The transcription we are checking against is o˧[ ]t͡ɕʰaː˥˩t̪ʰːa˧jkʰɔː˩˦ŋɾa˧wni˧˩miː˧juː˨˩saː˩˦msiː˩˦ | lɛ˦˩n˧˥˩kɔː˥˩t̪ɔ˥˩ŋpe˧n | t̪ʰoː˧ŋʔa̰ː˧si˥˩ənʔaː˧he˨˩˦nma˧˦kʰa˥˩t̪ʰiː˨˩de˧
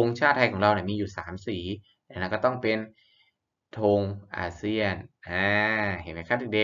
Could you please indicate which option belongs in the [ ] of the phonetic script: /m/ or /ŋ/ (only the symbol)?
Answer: ŋ